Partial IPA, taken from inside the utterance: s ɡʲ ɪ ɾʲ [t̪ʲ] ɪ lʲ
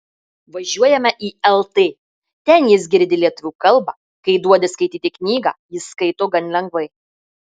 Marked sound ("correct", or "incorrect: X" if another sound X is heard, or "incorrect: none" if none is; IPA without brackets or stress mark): incorrect: d̪ʲ